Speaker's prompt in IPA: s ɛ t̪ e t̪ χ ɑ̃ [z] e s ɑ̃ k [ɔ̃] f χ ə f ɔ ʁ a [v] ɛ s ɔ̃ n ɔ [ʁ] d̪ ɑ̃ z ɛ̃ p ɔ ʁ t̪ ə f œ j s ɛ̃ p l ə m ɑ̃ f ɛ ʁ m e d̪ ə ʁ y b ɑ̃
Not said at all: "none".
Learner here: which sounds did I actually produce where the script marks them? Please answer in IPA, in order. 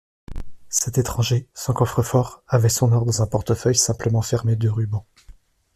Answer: ʒ, ɔ, v, ʁ

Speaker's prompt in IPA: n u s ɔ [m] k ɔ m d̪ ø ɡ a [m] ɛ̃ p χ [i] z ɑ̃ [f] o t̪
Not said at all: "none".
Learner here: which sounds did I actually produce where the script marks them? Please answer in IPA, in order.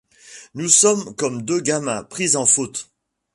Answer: m, m, i, f

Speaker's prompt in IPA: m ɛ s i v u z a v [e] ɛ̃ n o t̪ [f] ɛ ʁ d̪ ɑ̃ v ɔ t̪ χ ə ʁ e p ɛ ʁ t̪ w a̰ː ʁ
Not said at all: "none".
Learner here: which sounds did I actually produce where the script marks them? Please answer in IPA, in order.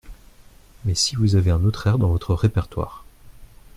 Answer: e, χ

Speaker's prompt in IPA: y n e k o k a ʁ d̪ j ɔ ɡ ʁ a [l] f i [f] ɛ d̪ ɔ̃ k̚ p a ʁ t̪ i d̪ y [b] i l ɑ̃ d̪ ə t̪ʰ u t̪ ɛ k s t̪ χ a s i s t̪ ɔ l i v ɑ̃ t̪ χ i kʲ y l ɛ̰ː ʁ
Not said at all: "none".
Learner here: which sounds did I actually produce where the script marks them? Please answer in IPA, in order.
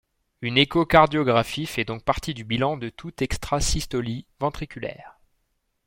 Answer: none, f, b

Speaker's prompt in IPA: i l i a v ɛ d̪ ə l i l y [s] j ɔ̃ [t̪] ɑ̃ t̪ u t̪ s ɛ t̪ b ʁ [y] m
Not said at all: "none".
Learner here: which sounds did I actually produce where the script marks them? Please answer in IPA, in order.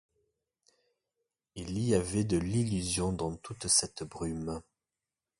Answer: z, d̪, y

